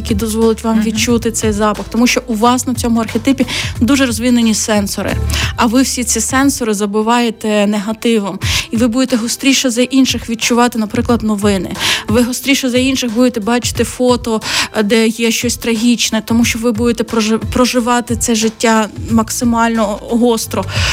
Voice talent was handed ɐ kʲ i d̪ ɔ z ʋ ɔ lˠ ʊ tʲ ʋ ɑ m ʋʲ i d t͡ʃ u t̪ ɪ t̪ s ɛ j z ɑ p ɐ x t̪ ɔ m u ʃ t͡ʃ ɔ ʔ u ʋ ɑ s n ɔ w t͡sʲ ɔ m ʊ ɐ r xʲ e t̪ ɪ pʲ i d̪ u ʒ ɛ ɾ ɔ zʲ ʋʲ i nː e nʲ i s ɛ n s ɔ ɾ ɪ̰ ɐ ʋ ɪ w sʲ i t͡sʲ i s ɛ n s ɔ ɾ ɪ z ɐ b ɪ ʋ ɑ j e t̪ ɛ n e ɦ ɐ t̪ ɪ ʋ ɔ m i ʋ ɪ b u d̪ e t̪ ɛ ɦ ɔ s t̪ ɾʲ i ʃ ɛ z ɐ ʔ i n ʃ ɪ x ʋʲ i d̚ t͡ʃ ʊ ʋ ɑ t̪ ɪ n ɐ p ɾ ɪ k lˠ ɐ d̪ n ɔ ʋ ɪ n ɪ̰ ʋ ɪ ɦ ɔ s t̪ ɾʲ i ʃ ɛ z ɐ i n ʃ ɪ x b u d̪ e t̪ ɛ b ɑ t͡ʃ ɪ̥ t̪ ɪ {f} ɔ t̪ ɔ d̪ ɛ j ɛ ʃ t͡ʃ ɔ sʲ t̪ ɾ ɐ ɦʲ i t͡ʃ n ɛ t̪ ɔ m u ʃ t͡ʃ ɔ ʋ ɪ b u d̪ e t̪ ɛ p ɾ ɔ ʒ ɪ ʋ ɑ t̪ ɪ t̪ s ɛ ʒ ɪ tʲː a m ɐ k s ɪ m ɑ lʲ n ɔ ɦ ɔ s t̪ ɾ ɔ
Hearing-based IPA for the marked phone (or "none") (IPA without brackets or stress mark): f